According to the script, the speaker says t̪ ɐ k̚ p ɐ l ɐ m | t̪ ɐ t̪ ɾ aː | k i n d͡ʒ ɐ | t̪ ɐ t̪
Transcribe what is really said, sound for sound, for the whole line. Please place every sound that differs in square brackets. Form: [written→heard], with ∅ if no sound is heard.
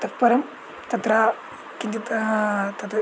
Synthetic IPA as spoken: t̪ ɐ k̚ p ɐ [l→ɾ] ɐ m | t̪ ɐ t̪ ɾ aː | k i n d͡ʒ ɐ | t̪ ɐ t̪